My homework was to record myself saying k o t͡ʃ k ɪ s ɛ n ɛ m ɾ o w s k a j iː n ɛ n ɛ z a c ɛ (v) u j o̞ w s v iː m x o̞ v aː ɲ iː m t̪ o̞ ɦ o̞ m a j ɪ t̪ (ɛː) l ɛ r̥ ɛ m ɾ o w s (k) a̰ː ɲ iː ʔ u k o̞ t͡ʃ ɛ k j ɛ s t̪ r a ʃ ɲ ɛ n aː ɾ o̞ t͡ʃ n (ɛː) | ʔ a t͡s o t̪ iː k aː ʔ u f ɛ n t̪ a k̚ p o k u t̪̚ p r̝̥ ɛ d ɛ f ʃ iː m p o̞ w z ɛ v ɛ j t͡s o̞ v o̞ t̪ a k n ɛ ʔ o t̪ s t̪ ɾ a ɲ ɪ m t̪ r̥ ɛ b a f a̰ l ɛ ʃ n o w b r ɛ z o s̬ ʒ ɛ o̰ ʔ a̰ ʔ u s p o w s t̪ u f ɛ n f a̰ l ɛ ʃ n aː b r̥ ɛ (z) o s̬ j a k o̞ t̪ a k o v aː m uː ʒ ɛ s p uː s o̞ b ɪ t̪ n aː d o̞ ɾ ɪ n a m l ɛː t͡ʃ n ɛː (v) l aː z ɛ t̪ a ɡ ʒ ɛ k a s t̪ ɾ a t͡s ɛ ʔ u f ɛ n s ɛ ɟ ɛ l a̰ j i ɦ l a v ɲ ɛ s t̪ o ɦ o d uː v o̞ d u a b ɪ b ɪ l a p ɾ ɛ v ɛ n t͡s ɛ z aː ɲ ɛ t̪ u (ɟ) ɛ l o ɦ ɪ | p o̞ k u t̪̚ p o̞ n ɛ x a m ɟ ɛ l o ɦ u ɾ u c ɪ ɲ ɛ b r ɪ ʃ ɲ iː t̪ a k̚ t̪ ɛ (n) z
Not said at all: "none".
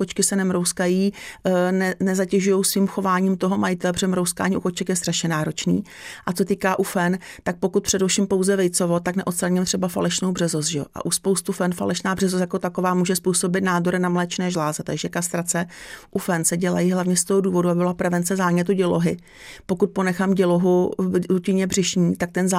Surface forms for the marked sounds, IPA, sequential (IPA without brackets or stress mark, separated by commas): ʒ, ɛ, k, iː, z, ʒ, ɟ, n